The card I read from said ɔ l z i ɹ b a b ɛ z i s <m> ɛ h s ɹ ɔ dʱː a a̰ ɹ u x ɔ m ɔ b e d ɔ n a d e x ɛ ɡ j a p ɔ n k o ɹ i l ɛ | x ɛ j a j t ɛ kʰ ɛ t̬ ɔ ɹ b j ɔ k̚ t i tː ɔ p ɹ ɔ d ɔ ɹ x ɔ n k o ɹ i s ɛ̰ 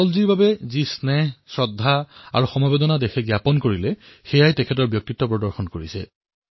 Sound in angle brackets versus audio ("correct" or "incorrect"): incorrect